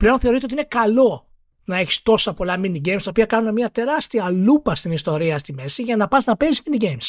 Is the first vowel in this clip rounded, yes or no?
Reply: no